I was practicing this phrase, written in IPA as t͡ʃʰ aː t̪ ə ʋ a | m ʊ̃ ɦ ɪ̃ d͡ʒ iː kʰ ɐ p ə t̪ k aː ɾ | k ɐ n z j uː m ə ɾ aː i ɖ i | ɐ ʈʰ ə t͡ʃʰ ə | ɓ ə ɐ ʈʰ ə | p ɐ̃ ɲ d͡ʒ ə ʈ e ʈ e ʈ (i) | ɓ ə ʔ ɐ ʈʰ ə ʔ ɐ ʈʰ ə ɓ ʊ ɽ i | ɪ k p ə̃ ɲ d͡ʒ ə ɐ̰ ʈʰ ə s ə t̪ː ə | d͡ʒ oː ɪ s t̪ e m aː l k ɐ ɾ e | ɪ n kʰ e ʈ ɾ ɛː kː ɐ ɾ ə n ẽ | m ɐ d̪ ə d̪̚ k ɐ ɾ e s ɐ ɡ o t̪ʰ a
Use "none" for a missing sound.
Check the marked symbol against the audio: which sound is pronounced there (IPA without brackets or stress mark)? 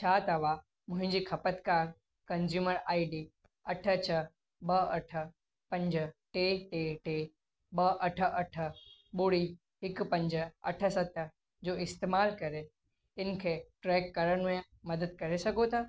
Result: e